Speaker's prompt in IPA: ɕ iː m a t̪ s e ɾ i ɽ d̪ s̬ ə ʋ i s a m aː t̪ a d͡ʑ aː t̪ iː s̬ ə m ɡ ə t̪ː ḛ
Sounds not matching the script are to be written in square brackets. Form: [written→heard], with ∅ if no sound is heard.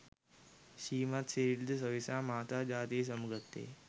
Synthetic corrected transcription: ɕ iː m a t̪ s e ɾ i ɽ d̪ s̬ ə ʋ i s a m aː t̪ a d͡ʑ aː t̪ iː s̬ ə m ɡ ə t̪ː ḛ

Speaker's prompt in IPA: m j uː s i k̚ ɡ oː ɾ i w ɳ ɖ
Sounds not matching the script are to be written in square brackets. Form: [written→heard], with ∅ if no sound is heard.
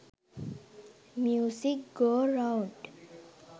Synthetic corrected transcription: m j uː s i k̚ ɡ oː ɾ [i→a] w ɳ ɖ

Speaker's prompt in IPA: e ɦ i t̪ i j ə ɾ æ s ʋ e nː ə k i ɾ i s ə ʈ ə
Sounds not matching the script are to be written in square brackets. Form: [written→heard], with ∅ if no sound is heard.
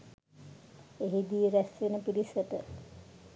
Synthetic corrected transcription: e ɦ i [t̪→d̪] i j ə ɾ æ s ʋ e [nː→n] ə [k→p] i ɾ i s ə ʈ ə

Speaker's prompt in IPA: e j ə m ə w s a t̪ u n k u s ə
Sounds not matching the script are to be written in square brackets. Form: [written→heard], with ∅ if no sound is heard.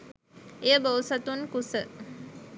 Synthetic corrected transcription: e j ə [m→b] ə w s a t̪ u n k u s ə

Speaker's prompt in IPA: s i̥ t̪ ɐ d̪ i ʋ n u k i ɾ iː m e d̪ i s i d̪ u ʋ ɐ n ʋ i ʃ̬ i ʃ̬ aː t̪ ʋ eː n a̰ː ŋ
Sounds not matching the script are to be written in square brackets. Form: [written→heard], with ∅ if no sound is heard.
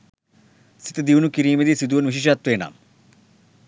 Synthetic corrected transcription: s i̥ t̪ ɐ d̪ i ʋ n u k i ɾ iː m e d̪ i s i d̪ u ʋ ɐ n ʋ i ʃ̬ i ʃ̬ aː t̪ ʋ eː n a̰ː [ŋ→m]

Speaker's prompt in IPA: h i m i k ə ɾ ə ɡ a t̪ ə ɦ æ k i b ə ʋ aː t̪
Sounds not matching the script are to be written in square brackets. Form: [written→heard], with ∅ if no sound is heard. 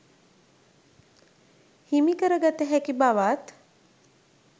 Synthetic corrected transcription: h i m i k ə ɾ ə ɡ a t̪ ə ɦ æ k i b [ə→a] ʋ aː t̪

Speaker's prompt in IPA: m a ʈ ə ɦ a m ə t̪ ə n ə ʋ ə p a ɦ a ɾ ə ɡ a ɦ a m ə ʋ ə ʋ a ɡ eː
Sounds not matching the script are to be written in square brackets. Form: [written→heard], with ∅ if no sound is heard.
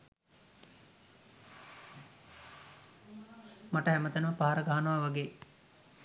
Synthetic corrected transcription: m a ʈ ə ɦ [a→æ] m ə t̪ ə n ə ʋ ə p a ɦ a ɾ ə ɡ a ɦ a [m→n] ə ʋ [ə→a] ʋ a ɡ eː

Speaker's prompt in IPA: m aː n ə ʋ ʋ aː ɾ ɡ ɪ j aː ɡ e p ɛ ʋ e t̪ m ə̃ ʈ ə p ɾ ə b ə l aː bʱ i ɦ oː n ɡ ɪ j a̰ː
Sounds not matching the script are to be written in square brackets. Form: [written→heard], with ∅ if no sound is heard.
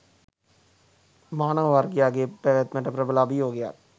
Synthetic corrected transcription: m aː n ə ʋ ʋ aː ɾ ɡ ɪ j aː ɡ e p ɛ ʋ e t̪ m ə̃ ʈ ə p ɾ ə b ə l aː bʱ i ɦ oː [n→∅] ɡ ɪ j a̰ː

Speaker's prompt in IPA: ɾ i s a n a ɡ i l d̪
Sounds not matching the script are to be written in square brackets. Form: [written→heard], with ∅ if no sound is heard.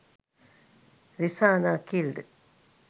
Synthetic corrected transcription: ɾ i s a n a [ɡ→k] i l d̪

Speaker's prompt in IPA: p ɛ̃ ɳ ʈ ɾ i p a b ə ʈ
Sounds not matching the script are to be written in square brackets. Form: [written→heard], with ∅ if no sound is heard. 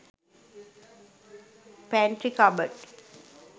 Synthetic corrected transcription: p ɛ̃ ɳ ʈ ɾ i [p→k] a b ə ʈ

